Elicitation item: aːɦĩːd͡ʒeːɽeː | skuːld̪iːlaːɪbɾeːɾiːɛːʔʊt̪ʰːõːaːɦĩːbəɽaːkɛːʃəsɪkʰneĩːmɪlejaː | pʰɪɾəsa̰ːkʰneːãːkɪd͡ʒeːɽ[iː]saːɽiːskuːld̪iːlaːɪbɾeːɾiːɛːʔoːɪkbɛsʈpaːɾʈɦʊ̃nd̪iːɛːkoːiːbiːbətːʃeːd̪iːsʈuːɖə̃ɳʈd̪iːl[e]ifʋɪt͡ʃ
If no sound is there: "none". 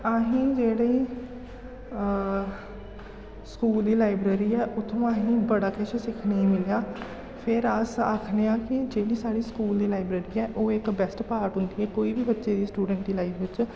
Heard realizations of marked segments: iː, a

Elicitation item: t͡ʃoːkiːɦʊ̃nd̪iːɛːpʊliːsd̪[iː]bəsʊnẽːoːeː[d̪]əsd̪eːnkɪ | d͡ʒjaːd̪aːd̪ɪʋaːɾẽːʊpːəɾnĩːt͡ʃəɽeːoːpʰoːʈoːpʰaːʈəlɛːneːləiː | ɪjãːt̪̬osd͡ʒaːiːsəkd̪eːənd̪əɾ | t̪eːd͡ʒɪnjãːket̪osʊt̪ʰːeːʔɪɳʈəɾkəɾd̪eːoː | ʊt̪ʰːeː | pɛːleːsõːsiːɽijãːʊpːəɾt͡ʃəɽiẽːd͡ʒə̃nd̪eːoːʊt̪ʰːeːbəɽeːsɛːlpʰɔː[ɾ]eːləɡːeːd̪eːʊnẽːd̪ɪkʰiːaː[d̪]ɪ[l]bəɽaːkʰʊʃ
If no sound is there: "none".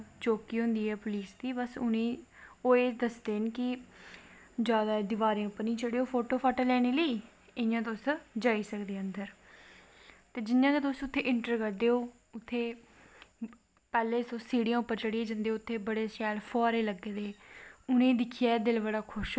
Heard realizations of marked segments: iː, d̪, ɾ, d̪, l

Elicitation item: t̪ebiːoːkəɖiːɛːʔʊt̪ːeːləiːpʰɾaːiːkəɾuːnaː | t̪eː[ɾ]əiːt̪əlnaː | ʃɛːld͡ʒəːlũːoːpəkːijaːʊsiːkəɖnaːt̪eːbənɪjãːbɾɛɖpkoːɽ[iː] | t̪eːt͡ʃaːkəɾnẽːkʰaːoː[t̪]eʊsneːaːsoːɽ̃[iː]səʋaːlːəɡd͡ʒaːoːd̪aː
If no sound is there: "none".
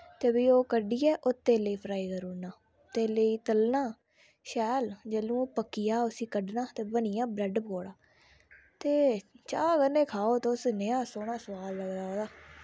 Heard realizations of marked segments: l, aː, t̪, aː

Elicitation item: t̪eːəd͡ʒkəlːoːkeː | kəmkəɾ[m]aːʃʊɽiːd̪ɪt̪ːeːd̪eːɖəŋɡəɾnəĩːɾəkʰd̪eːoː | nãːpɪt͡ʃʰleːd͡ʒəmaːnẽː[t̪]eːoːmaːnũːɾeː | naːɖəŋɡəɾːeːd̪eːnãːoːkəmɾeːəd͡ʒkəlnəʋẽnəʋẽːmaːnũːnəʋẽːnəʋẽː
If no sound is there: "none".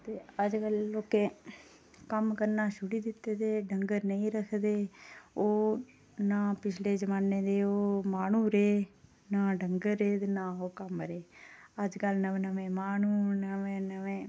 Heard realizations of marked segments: n, d̪

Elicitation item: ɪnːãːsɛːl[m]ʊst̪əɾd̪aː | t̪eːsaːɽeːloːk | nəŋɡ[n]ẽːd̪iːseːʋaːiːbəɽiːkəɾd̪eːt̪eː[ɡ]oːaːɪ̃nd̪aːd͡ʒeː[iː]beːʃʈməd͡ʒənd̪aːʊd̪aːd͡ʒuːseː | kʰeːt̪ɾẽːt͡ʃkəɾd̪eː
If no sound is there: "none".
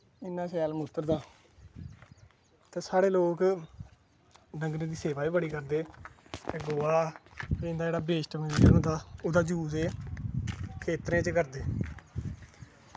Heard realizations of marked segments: m, n, ɡ, aː

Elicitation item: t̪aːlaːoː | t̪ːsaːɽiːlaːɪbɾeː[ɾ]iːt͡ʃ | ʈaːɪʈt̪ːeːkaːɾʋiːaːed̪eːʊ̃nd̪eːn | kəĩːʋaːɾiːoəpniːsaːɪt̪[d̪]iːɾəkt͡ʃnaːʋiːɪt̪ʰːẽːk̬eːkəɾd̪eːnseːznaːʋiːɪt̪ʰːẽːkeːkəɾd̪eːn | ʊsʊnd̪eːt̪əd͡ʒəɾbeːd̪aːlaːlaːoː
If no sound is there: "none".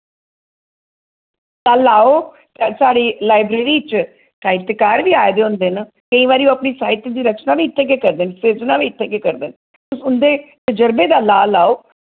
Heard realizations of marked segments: ɾ, d̪

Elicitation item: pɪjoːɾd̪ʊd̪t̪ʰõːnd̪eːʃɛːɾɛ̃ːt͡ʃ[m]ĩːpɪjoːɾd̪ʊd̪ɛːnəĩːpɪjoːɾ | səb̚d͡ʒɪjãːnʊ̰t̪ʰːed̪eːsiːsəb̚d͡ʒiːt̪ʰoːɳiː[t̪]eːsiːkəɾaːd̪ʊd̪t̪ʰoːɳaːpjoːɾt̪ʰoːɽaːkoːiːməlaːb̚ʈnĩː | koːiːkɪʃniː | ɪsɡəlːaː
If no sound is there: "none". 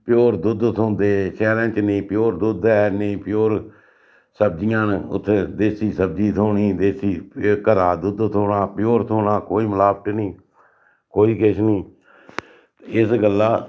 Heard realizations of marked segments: n, d̪

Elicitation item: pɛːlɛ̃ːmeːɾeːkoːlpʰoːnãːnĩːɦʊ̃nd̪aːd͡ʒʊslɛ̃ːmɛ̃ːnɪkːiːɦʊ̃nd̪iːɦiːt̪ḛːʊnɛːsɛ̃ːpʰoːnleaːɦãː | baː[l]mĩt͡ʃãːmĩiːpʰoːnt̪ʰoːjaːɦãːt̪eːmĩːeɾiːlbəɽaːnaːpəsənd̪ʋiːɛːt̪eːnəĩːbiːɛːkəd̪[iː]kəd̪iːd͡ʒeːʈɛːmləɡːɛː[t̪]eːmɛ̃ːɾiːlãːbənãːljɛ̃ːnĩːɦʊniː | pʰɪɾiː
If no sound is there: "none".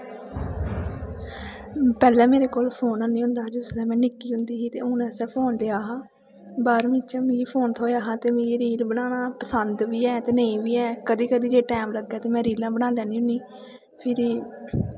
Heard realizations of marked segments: ɾ, iː, t̪

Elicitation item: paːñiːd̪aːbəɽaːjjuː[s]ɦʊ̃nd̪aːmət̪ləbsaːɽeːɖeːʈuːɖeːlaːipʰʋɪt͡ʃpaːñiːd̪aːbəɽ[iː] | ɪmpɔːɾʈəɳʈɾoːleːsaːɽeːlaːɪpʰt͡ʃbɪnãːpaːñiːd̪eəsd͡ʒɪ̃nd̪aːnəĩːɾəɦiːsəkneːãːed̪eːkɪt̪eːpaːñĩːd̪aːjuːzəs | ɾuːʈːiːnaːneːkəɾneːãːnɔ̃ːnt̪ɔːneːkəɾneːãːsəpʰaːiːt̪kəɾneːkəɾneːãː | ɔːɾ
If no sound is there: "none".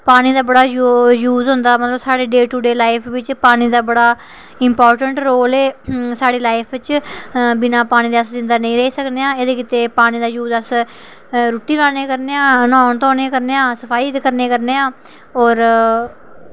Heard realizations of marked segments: z, aː

